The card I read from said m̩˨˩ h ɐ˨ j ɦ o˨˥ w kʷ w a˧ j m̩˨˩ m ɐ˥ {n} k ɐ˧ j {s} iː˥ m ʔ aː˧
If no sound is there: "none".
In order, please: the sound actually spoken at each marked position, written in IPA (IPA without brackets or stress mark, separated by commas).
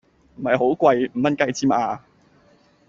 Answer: n, t͡s